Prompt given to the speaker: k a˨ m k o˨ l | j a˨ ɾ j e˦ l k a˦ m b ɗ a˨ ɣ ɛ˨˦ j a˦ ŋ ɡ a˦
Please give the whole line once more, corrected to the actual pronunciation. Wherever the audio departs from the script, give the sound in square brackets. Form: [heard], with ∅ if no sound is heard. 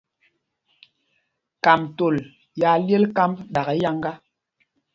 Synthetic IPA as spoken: k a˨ m [t] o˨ l | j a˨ [l] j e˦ l k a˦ m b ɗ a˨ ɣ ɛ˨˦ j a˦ ŋ ɡ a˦